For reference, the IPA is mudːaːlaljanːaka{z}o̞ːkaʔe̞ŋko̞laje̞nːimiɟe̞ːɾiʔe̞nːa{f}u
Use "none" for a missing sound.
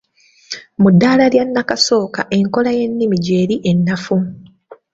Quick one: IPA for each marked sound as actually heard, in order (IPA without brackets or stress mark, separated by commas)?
s, f